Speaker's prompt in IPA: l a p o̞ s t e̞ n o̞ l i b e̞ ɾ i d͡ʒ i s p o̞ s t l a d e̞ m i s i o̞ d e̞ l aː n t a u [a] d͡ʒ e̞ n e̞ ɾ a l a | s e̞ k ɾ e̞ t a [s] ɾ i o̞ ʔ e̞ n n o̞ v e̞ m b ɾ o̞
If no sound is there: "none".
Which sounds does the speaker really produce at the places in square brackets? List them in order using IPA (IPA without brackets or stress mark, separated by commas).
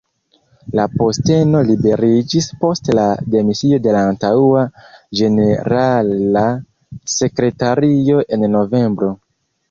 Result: a, none